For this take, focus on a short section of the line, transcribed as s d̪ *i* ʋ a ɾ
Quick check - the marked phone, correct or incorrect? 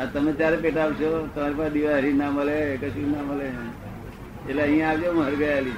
correct